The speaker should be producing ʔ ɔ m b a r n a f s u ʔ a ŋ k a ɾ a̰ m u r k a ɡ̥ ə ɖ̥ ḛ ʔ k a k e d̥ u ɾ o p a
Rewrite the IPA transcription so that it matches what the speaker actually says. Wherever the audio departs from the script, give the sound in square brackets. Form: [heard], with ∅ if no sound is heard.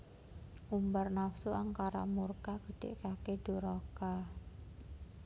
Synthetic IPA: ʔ [u] m b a r n a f s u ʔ a ŋ k a ɾ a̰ m u r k a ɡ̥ ə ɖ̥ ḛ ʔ k a k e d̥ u ɾ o [k] a